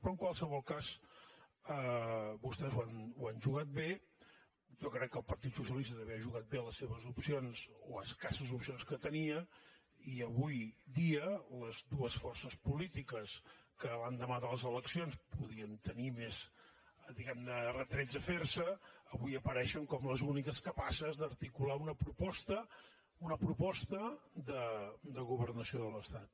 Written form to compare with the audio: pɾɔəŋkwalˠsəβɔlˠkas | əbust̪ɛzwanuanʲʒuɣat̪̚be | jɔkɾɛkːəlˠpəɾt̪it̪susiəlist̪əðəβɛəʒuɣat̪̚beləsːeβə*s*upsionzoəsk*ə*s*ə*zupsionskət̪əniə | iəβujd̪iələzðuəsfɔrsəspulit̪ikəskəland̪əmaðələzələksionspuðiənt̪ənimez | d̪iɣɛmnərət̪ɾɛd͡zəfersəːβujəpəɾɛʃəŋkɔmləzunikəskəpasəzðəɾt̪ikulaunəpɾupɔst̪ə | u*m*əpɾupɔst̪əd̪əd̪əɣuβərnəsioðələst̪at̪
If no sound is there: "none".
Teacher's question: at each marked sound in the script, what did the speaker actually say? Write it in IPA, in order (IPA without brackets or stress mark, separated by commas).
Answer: z, a, ə, n